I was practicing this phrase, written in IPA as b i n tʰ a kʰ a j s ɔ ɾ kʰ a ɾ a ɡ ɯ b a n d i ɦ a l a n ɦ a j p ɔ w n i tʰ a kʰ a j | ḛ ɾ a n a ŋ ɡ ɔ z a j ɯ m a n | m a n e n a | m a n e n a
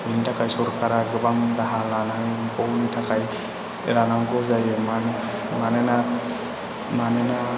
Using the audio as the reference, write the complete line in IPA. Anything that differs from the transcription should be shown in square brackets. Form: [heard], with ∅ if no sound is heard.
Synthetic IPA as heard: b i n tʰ a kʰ a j s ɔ ɾ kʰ a ɾ a ɡ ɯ b a [ŋ] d [a] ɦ a l a n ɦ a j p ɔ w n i tʰ a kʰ a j | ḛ ɾ a n a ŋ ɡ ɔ z a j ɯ m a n | m a n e n a | m a n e n a

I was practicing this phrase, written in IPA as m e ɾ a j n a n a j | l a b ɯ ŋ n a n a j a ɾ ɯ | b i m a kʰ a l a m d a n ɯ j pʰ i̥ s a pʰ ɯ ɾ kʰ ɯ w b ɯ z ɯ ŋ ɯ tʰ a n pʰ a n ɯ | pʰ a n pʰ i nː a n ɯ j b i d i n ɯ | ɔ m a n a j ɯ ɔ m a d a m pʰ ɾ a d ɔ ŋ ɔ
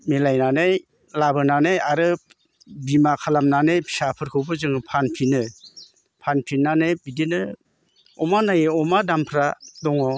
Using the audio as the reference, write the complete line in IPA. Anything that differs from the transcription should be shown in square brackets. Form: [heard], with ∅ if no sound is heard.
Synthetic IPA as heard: m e [l] a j n a n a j | l a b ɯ [∅] n a n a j a ɾ ɯ | b i m a kʰ a l a m [n] a n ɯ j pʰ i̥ s a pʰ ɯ ɾ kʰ ɯ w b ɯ z ɯ ŋ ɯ [pʰ] a n pʰ [i] n ɯ | pʰ a n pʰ i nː a n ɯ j b i d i n ɯ | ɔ m a n a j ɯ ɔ m a d a m pʰ ɾ a d ɔ ŋ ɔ

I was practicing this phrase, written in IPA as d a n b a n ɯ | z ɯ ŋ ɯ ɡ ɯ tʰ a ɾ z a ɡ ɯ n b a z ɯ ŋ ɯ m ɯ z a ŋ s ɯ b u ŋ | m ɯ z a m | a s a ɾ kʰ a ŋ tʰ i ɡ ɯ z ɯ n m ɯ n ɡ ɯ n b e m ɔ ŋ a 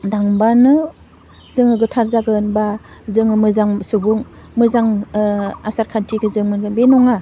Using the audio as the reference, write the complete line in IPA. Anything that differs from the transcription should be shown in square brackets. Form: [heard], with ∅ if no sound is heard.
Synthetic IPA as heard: d a [ŋ] b a n ɯ | z ɯ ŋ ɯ ɡ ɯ tʰ a ɾ z a ɡ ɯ n b a z ɯ ŋ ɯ m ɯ z a ŋ s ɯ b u ŋ | m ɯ z a [ŋ] | a s a ɾ kʰ a [n] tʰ i ɡ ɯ z ɯ [ŋ] m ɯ n ɡ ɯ n b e [n] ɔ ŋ a

